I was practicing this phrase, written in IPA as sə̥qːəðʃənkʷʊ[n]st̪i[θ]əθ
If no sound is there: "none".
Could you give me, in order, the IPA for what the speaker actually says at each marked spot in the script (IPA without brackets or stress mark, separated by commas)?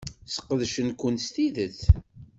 n, ð